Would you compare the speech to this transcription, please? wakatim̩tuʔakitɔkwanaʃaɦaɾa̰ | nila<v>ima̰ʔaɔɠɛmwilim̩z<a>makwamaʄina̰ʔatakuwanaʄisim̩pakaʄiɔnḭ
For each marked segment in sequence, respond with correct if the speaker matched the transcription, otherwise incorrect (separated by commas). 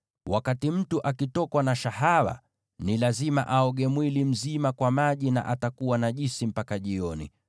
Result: incorrect, incorrect